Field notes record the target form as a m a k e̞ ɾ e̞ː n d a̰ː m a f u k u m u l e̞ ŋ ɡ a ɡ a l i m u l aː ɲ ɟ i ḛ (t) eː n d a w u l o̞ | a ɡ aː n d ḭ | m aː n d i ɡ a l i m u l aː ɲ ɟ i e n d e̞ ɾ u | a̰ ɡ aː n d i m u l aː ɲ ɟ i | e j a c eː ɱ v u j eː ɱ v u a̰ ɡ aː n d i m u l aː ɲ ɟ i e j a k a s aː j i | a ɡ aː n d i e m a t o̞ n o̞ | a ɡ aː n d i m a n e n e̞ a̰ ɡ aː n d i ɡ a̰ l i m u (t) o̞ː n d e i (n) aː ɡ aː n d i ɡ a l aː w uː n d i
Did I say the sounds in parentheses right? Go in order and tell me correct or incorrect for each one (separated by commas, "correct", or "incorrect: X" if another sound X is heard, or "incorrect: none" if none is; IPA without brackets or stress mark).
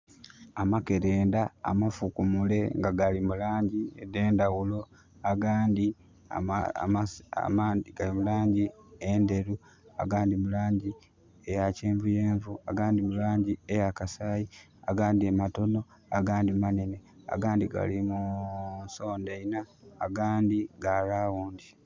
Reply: incorrect: d, incorrect: s, correct